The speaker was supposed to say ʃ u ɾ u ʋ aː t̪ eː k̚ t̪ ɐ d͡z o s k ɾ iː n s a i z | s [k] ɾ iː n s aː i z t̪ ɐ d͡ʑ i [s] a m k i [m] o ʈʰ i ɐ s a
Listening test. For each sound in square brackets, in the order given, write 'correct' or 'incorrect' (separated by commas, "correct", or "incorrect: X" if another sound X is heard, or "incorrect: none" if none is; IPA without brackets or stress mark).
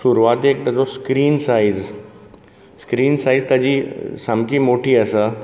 correct, correct, correct